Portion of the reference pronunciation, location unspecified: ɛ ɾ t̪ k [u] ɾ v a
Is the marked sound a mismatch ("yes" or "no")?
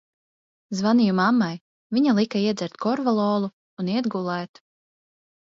yes